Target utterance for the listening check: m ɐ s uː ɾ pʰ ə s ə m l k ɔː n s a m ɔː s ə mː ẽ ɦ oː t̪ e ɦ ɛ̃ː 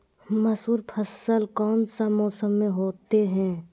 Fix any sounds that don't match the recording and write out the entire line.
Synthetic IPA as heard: m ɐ s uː ɾ pʰ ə s ə l k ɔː n s a m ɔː s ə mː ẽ ɦ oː t̪ e ɦ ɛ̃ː